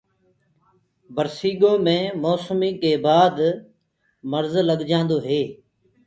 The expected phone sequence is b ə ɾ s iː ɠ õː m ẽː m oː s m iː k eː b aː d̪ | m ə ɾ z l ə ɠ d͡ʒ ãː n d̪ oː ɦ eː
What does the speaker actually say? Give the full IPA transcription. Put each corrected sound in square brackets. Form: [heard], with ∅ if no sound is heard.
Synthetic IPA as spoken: b ə ɾ s iː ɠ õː m ẽː m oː s m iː k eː b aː d̪ | m ə ɾ z l ə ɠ d͡ʒ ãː n d̪ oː ɦ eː